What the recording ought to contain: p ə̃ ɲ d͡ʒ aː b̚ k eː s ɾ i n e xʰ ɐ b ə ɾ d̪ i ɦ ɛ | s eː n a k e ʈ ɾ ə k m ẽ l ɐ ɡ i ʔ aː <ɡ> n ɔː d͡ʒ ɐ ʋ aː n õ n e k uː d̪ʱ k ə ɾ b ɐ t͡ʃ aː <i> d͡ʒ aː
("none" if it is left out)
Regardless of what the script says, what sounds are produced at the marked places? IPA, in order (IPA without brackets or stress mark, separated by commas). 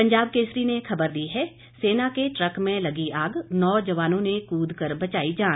ɡ, i